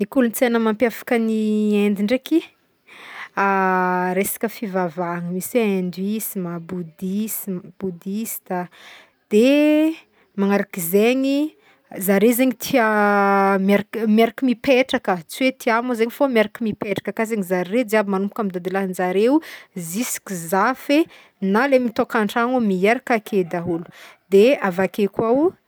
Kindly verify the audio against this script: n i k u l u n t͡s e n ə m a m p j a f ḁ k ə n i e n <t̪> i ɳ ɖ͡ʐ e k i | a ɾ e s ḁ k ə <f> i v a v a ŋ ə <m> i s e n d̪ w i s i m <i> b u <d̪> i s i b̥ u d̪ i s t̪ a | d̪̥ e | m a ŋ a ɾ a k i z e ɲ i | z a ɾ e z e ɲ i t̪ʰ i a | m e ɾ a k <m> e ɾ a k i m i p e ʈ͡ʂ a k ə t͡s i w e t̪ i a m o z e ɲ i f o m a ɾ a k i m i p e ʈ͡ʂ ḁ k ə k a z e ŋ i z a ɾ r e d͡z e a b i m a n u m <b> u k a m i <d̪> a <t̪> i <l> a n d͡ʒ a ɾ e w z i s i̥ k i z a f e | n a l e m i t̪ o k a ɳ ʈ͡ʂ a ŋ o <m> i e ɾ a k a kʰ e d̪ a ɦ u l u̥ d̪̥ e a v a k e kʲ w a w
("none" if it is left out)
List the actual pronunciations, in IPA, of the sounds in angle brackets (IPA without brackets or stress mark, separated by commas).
d̪, f, m, a, d̪, m, p, d̪, d̪, l, m